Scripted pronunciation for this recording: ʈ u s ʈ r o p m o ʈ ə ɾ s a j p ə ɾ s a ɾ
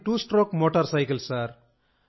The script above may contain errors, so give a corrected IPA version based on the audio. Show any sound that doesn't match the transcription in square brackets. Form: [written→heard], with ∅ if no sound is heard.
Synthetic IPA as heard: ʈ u s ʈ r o [p→k] m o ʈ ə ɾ s a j [p→k] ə [ɾ→l] s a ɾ